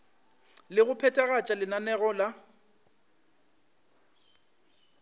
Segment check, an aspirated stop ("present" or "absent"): present